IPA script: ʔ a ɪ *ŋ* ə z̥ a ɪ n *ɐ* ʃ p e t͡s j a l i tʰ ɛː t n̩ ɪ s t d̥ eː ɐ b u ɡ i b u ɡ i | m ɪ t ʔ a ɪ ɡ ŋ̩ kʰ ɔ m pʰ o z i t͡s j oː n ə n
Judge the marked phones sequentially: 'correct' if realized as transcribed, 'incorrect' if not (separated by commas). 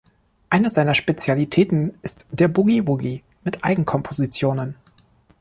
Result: incorrect, correct